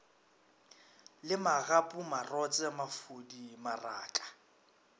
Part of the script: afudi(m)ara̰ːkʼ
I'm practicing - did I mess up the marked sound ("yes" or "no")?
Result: no